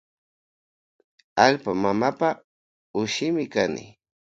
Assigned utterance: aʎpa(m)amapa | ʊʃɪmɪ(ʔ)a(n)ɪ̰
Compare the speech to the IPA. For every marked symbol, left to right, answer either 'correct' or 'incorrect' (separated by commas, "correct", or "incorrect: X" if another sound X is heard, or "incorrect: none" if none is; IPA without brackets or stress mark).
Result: correct, incorrect: k, correct